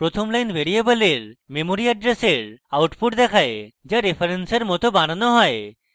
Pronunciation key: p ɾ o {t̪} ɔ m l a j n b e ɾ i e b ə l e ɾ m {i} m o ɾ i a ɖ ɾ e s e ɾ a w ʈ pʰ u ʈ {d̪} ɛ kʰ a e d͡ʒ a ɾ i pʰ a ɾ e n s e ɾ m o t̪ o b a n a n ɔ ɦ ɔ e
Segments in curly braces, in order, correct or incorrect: incorrect, incorrect, correct

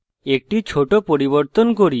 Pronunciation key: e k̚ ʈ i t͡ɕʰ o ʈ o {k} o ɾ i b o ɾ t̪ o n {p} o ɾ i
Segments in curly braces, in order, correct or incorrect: incorrect, incorrect

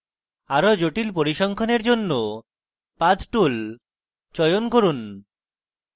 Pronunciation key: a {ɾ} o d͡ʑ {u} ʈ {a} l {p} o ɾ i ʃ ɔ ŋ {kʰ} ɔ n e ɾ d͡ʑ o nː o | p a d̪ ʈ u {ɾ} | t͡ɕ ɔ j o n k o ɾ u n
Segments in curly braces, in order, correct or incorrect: correct, incorrect, incorrect, correct, correct, incorrect

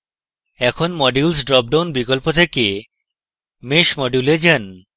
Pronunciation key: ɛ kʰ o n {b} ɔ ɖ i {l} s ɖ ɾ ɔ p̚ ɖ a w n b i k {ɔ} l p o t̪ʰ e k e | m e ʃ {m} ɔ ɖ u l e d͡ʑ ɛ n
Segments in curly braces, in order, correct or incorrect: incorrect, correct, incorrect, correct

